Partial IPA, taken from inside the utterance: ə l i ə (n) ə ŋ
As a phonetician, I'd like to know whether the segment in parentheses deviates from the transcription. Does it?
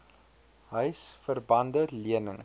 no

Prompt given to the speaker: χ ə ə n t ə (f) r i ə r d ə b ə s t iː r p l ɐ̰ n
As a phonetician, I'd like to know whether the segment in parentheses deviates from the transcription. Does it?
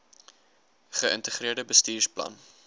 yes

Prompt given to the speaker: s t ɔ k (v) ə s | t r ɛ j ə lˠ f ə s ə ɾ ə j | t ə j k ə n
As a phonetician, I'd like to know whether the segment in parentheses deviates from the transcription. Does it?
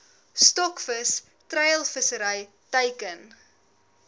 yes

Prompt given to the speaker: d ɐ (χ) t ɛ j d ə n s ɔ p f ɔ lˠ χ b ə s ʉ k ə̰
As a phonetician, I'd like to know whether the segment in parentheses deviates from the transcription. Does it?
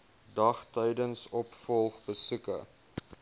no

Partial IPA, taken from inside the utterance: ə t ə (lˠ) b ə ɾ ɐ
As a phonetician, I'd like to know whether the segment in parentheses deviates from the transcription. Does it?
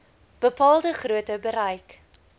yes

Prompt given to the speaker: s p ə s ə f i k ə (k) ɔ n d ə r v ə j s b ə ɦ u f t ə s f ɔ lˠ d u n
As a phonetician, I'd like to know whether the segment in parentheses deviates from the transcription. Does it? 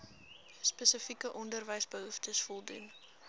yes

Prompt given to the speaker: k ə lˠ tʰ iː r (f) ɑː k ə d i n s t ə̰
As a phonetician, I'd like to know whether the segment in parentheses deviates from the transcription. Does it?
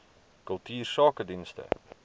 yes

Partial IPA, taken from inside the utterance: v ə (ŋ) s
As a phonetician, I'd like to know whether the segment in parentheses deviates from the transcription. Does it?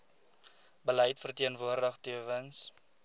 yes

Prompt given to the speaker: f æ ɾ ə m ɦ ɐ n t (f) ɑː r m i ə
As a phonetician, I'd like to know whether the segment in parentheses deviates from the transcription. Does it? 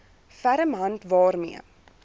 yes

